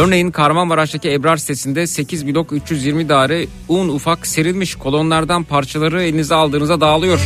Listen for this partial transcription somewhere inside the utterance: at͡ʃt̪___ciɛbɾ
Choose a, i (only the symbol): a